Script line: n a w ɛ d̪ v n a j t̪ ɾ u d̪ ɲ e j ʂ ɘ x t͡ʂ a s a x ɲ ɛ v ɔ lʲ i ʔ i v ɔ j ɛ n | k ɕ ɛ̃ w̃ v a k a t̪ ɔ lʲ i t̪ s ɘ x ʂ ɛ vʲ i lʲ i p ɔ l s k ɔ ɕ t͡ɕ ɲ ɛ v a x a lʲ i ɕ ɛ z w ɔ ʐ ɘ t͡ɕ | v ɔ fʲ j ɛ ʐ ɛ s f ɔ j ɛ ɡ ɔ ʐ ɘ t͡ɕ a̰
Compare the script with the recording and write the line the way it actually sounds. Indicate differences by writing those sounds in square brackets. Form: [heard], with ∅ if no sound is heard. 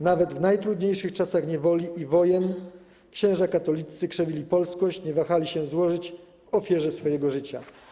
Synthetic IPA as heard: n a [v] ɛ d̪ v n a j t̪ ɾ u d̪ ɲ e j ʂ ɘ x t͡ʂ a s a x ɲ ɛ v ɔ lʲ i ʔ i v ɔ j ɛ n | k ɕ ɛ̃ w̃ [ʐ] a k a t̪ ɔ lʲ i t̪ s ɘ [k] ʂ ɛ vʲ i lʲ i p ɔ l s k ɔ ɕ t͡ɕ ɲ ɛ v a x a lʲ i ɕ ɛ z w ɔ ʐ ɘ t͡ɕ | v ɔ fʲ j ɛ ʐ ɛ s f ɔ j ɛ ɡ ɔ ʐ ɘ t͡ɕ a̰